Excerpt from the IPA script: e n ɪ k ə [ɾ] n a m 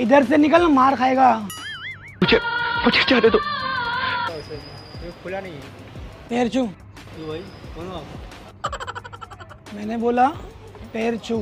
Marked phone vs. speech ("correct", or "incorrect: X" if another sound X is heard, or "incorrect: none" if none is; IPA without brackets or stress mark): incorrect: l